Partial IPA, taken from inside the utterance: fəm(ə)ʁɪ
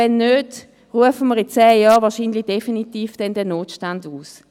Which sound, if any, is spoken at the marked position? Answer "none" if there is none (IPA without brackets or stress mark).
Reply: ə